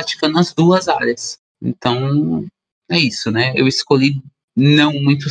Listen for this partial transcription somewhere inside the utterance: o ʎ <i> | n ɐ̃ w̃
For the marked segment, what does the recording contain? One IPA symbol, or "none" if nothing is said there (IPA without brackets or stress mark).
i